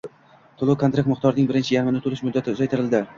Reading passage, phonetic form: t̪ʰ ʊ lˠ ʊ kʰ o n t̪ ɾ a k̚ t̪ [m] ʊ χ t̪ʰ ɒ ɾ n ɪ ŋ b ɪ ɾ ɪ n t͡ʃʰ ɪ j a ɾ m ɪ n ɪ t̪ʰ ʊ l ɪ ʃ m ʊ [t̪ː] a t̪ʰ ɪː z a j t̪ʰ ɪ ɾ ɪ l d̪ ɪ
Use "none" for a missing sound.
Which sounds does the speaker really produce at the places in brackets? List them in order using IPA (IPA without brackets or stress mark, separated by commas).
m, d̪ː